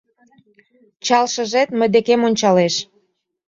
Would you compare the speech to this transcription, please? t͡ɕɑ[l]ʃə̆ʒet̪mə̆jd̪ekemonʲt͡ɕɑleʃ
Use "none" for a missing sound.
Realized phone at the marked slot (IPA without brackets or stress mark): l